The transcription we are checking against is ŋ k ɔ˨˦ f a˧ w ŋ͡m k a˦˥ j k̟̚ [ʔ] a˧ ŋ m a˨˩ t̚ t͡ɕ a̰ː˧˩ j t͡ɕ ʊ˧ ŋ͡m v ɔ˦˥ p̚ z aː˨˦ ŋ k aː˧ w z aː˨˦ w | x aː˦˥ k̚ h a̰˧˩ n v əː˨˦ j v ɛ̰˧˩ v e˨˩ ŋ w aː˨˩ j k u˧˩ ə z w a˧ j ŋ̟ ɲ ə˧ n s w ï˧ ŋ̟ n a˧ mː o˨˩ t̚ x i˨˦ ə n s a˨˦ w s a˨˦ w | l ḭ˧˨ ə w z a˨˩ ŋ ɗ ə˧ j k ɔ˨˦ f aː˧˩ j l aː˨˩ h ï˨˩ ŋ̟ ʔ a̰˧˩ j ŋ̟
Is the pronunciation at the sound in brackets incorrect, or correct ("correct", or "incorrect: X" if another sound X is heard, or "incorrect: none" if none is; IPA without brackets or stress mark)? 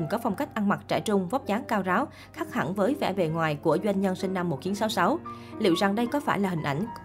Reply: correct